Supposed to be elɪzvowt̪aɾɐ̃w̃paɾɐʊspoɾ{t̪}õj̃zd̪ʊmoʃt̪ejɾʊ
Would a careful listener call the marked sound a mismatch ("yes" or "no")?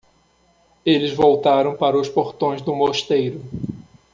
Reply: no